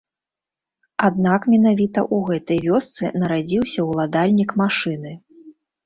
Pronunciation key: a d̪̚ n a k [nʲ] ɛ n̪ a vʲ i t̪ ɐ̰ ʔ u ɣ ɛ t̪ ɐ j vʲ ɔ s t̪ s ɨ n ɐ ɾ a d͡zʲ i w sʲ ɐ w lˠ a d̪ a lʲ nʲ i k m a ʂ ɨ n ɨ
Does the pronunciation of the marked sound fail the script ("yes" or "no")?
yes